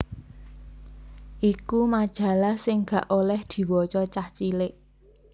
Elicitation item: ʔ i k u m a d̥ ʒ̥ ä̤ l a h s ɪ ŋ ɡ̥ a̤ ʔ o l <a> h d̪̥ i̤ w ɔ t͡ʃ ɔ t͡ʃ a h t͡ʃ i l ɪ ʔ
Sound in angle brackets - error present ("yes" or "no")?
yes